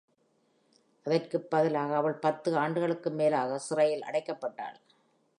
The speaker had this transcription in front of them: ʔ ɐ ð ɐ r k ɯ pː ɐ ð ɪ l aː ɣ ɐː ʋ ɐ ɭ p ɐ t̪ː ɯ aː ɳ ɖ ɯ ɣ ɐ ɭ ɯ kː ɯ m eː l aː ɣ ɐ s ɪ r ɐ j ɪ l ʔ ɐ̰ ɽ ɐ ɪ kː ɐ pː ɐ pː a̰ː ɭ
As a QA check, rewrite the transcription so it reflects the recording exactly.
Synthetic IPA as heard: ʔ ɐ ð ɐ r k ɯ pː ɐ ð ɪ l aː ɣ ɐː ʋ ɐ ɭ p ɐ t̪ː ɯ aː ɳ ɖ ɯ ɣ ɐ ɭ ɯ kː ɯ m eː l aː ɣ ɐ s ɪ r ɐ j ɪ l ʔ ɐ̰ ɽ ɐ ɪ kː ɐ pː ɐ ʈː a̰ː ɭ